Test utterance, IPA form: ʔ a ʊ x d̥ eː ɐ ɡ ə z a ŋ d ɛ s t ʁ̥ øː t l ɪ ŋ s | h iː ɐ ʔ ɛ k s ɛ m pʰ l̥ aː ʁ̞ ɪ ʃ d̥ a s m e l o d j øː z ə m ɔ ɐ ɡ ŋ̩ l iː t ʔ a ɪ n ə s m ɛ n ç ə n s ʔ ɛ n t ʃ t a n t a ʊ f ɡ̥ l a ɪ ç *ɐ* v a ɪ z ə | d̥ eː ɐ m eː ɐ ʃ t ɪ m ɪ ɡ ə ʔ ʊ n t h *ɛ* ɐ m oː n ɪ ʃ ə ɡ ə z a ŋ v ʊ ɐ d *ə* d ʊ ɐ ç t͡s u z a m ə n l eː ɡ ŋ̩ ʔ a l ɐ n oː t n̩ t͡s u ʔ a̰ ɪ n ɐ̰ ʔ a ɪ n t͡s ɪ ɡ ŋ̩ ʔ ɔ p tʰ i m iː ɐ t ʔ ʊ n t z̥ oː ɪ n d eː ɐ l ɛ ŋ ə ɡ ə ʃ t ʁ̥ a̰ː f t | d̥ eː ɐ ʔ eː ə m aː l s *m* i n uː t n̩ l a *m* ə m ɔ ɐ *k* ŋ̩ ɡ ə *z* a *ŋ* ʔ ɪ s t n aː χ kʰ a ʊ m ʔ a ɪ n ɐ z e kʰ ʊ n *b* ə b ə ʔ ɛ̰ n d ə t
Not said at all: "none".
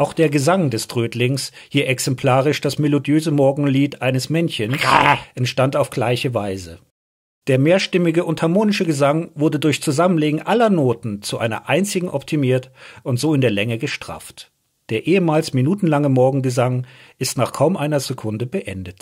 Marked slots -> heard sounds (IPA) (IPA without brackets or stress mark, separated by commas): ə, a, ə, m, ŋ, ɡ, z, ŋ, d